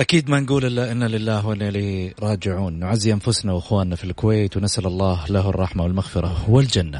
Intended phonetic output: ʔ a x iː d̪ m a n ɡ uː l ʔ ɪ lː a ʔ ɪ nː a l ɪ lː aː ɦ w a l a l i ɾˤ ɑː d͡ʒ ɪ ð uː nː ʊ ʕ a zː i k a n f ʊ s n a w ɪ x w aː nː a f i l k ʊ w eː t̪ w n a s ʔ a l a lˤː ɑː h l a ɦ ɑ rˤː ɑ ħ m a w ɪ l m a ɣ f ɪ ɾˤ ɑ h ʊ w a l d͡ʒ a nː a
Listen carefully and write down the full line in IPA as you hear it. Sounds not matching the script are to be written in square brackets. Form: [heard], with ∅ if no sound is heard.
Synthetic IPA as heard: ʔ a [k] iː d̪ m a n ɡ uː l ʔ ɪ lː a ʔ ɪ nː a l ɪ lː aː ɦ w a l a l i ɾˤ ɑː d͡ʒ ɪ [ʕ] uː nː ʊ ʕ a zː i [ʔ] a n f ʊ s n a w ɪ x w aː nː a f i l k ʊ w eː t̪ w n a s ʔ a l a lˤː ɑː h l a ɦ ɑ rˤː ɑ ħ m a w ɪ l m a ɣ f ɪ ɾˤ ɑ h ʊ w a l d͡ʒ a nː a